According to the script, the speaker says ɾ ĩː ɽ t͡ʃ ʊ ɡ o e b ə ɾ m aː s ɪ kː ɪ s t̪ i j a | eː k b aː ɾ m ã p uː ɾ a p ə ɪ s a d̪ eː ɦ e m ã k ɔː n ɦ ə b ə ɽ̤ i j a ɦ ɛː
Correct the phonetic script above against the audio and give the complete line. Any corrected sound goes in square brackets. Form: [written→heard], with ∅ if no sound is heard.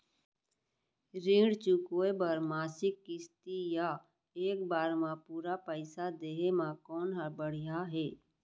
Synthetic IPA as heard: ɾ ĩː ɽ t͡ʃ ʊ [ɡ→k] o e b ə ɾ m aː s ɪ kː ɪ s t̪ i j a | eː k b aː ɾ m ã p uː ɾ a p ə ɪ s a d̪ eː ɦ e m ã k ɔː n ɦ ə b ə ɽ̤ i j a ɦ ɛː